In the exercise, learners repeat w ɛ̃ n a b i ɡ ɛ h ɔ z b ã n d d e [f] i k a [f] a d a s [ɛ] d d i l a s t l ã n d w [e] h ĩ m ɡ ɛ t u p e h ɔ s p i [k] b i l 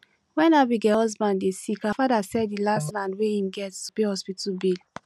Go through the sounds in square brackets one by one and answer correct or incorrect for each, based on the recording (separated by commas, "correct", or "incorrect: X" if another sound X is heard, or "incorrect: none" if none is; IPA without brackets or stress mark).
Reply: incorrect: s, correct, correct, correct, incorrect: t